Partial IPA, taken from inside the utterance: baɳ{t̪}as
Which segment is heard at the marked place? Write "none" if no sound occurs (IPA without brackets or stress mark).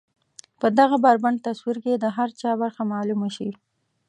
t̪